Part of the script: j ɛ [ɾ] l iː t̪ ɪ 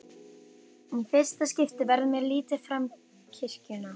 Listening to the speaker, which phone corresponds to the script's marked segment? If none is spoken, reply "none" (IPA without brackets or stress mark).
ɾ